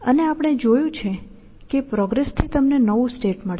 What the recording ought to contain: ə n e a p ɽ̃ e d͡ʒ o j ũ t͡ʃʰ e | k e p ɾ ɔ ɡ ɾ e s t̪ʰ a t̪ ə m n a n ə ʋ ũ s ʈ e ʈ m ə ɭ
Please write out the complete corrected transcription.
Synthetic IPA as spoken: ə n e a p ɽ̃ e d͡ʒ o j ũ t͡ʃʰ e | k e p ɾ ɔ ɡ ɾ e s t̪ʰ i t̪ ə m n e n ə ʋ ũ s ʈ e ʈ m ə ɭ